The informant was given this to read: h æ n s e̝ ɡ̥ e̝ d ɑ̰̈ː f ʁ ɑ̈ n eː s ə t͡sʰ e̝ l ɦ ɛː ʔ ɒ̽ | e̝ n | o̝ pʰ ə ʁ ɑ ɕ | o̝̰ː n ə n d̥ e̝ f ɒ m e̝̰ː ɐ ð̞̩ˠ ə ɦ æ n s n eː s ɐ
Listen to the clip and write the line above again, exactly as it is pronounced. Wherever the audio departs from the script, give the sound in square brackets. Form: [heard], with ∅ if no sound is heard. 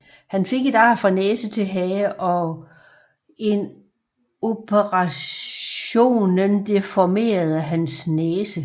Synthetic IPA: h æ n [f] e̝ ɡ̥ e̝ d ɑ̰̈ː f ʁ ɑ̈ n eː s ə t͡sʰ e̝ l ɦ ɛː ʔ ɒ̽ | e̝ n | o̝ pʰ ə ʁ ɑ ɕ | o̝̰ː n ə n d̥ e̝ f ɒ m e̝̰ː ɐ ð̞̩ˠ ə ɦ æ n s n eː s [ə]